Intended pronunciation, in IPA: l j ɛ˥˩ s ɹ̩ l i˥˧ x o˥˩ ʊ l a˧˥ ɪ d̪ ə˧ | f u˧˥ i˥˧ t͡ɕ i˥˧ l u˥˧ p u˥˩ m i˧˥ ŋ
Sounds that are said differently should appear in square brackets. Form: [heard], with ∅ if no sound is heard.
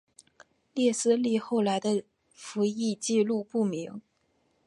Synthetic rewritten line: l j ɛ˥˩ s ɹ̩ l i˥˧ x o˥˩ ʊ l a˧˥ ɪ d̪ ə˧ | f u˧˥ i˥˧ t͡ɕ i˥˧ l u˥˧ p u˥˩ m i˧˥ ŋ